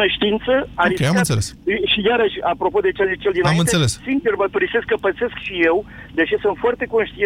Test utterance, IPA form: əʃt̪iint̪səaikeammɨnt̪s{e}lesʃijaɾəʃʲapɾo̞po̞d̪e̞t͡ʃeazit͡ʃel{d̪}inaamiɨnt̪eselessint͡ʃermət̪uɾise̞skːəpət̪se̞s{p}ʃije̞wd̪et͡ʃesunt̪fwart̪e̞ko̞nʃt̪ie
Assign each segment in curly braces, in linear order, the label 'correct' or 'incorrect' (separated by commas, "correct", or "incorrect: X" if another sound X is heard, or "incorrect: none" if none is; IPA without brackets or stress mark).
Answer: correct, correct, incorrect: k